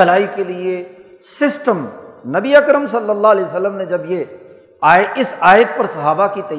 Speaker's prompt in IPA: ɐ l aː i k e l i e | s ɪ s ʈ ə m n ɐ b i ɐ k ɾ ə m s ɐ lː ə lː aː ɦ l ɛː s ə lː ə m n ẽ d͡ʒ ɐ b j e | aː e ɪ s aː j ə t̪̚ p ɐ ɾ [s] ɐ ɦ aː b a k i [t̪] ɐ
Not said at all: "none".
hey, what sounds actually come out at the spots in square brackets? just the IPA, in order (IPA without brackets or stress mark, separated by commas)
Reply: s, t̪